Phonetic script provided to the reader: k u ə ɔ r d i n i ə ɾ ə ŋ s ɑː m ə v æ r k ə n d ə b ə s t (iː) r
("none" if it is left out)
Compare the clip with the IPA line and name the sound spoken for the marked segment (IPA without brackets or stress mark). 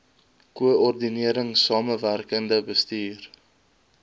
iː